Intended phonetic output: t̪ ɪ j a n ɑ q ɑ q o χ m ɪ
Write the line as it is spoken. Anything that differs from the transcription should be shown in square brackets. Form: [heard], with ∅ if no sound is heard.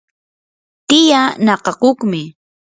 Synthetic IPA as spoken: t̪ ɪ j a n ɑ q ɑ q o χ m ɪ